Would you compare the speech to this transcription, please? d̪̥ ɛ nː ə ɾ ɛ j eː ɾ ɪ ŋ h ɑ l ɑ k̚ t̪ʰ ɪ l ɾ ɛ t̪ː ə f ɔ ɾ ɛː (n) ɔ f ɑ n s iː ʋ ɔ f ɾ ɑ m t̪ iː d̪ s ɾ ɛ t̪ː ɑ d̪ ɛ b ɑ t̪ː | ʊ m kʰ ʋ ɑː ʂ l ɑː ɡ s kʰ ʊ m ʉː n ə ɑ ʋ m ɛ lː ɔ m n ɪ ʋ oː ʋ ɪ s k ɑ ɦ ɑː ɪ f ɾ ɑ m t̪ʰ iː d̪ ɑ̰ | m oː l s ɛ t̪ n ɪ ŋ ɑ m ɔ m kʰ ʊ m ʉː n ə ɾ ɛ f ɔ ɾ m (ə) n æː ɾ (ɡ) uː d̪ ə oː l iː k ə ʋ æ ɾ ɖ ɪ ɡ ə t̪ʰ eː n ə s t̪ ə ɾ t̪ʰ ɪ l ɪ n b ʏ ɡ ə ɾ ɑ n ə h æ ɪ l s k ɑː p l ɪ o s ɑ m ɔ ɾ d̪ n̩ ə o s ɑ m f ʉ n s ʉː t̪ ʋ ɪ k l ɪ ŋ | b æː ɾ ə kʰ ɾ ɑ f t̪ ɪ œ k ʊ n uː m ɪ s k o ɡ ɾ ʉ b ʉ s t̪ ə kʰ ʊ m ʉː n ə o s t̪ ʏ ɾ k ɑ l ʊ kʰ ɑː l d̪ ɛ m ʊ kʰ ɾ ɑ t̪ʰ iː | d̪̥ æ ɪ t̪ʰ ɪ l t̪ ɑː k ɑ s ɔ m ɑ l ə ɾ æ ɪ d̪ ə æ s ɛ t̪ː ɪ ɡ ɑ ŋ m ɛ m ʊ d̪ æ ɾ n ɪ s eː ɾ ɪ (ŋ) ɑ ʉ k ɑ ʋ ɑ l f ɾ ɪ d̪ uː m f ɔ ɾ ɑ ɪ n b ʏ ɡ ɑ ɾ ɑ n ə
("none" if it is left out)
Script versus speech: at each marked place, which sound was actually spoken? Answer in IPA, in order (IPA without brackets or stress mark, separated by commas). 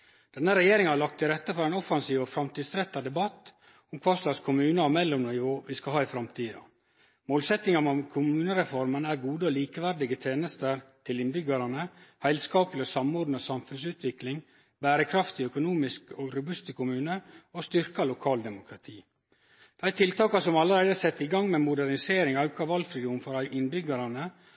n, ə, ɡ, ŋ